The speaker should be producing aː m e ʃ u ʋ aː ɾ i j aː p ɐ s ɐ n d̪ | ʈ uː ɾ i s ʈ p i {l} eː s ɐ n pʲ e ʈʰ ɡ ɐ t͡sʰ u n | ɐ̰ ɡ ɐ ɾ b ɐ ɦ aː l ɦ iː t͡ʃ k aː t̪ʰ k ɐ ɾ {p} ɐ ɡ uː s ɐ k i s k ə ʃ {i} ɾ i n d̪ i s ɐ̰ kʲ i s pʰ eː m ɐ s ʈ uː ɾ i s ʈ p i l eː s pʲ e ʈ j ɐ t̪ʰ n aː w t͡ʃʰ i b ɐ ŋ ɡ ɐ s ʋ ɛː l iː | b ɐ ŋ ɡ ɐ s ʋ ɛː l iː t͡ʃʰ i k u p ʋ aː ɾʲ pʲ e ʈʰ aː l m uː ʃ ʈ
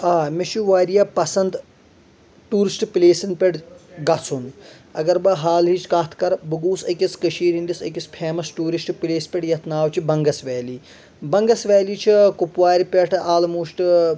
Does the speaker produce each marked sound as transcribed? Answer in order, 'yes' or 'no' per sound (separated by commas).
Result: yes, no, no